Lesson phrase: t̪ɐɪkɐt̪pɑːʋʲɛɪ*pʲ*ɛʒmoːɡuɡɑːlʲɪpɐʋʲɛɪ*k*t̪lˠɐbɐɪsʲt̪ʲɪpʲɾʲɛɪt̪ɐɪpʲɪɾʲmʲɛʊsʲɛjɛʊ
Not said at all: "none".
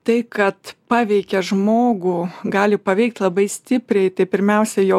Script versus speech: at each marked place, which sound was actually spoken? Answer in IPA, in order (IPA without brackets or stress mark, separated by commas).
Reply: kʲ, k